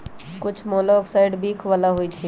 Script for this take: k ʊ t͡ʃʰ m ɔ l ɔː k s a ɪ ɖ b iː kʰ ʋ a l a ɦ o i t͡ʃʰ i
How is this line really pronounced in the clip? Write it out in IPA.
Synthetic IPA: k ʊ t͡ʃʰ m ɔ l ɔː k s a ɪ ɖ b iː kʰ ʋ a l a ɦ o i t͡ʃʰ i